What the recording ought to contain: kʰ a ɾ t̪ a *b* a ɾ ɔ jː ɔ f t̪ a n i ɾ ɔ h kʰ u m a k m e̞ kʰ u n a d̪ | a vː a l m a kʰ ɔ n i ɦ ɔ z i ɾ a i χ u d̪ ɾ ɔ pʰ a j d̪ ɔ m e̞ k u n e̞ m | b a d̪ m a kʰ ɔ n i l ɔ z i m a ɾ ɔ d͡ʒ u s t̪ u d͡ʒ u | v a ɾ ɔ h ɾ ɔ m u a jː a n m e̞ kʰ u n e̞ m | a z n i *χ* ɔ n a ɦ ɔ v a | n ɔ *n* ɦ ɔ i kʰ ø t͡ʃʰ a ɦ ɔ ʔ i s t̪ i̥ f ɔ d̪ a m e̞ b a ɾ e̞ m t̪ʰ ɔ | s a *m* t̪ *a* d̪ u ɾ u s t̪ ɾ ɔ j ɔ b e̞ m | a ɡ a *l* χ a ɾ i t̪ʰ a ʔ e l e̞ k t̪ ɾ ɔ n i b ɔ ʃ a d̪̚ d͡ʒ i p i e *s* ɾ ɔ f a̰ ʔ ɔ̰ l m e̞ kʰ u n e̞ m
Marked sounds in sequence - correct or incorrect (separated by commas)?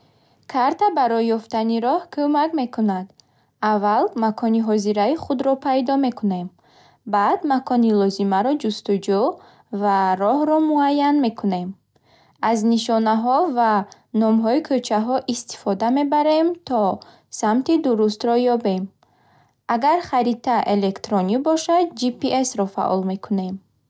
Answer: correct, incorrect, incorrect, correct, incorrect, incorrect, correct